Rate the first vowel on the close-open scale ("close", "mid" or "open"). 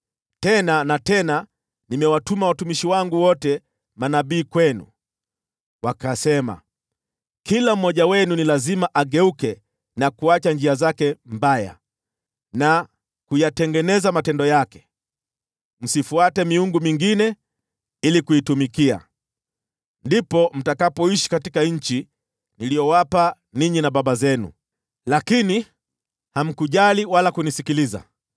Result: mid